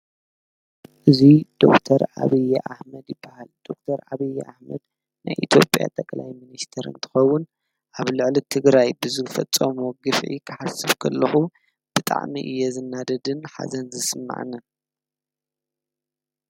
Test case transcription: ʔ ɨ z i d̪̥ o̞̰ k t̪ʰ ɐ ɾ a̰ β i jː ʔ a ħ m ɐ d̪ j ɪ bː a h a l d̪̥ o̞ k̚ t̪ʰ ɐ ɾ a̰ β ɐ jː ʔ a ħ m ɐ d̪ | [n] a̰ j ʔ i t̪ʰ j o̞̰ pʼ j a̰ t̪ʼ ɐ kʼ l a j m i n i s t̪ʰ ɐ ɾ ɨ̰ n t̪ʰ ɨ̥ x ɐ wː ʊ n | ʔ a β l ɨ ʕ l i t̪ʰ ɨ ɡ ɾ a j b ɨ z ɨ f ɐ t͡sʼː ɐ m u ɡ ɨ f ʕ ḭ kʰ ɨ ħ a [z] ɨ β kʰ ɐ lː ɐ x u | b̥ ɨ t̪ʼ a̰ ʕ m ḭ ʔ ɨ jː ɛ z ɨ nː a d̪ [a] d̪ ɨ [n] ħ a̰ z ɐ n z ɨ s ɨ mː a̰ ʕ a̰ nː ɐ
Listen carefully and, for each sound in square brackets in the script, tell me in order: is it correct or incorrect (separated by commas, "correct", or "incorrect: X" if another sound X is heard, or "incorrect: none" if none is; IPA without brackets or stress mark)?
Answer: correct, incorrect: s, incorrect: ɐ, correct